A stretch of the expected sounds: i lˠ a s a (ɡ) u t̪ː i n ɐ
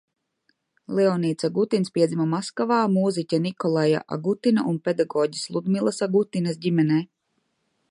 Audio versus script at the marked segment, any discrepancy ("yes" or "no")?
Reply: no